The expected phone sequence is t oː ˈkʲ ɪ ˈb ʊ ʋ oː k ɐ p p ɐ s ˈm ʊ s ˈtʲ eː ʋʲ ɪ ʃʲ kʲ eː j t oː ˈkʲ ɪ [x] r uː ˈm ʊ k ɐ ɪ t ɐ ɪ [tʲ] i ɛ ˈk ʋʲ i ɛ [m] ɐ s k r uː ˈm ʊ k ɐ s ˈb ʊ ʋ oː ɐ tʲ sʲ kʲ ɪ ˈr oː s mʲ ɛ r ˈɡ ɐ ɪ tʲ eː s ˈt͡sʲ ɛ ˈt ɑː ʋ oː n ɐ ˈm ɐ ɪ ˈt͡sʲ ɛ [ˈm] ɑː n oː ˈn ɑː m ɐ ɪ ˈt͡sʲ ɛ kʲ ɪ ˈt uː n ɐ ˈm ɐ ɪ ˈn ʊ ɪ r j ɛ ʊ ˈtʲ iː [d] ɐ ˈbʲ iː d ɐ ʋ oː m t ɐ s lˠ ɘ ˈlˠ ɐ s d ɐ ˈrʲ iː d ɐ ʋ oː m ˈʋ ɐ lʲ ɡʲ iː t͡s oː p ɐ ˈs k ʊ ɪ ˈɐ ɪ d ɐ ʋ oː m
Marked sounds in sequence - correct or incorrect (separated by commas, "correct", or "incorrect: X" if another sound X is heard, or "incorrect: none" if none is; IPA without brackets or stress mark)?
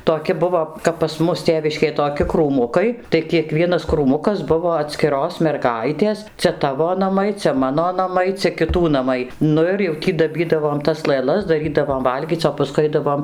incorrect: k, incorrect: kʲ, incorrect: n, correct, correct